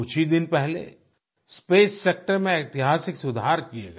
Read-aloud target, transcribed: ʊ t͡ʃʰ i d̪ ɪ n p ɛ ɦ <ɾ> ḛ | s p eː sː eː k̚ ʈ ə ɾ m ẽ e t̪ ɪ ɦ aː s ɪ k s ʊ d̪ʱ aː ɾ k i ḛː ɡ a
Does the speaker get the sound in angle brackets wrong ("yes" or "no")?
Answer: yes